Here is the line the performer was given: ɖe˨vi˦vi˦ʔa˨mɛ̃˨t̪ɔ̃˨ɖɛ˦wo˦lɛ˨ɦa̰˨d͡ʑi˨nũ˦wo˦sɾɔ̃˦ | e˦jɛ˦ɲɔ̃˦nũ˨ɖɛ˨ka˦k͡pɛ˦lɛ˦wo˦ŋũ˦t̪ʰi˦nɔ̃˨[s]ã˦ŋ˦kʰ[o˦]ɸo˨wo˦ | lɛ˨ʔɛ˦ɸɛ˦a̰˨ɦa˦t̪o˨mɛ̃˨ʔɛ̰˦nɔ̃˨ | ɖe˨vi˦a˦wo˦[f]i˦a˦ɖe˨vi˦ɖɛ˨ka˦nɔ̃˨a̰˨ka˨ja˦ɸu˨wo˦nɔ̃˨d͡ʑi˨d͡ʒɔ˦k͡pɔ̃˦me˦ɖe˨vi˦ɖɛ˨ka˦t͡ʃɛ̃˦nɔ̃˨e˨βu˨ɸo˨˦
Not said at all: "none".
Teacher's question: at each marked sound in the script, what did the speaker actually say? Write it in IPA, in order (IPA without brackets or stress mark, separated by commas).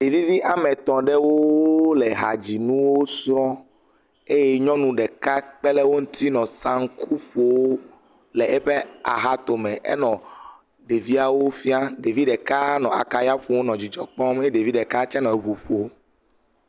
s, u˦, f